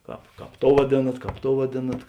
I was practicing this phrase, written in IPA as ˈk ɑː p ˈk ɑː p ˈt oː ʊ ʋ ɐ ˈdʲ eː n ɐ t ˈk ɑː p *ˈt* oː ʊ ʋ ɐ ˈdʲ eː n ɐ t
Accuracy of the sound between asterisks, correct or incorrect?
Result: correct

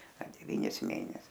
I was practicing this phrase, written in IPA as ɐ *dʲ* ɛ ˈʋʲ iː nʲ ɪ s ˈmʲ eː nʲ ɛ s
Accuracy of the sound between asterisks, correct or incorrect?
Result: correct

